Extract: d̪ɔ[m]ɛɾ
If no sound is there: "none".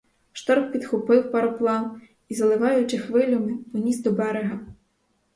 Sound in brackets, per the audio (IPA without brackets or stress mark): b